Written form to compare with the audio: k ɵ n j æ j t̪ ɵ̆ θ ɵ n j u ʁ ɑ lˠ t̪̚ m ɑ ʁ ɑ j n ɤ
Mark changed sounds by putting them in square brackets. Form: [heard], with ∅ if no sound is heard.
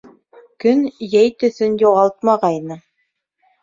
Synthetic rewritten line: k ɵ n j æ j t̪ ɵ̆ θ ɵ n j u ʁ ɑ lˠ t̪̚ m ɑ ʁ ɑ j n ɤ